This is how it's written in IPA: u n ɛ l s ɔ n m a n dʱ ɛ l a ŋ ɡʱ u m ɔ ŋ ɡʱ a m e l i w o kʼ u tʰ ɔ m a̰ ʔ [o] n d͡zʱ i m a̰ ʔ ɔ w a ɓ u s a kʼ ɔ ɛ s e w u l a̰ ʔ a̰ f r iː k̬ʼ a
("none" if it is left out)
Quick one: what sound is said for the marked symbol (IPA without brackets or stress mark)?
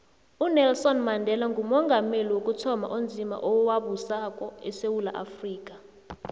o